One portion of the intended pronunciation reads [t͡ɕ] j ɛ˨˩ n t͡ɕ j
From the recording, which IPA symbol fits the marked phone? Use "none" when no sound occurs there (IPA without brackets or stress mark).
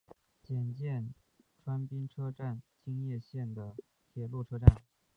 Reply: t͡ɕ